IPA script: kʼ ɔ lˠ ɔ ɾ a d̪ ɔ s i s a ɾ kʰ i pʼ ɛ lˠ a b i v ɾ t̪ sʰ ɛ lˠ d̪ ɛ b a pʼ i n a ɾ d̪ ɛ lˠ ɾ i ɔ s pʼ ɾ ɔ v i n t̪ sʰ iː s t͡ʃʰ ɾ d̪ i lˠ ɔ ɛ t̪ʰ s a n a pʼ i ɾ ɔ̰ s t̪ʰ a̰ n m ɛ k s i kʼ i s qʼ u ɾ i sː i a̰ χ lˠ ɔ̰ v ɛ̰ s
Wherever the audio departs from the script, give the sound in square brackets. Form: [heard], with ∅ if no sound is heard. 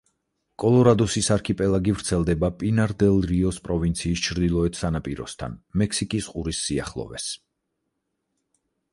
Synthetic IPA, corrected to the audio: kʼ ɔ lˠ ɔ ɾ a d̪ ɔ s i s a ɾ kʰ i pʼ ɛ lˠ a [ɡ] i v ɾ t̪ sʰ ɛ lˠ d̪ ɛ b a pʼ i n a ɾ d̪ ɛ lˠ ɾ i ɔ s pʼ ɾ ɔ v i n t̪ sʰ iː s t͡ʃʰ ɾ d̪ i lˠ ɔ ɛ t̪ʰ s a n a pʼ i ɾ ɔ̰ s t̪ʰ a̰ n m ɛ k s i kʼ i s qʼ u ɾ i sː i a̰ χ lˠ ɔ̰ v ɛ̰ s